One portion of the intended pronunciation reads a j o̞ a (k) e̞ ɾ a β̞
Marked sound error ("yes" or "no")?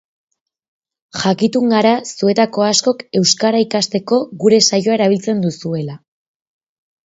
yes